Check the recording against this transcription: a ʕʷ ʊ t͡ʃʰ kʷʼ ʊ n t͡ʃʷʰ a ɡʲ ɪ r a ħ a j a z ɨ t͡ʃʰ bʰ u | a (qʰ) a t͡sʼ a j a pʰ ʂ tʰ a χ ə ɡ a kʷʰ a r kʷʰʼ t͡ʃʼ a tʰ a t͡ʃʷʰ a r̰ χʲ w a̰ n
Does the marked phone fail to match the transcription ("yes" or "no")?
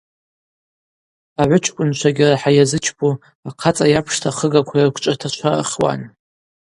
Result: no